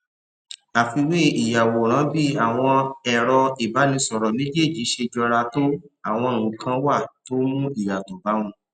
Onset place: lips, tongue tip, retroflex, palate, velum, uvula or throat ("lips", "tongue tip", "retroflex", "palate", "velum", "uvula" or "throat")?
lips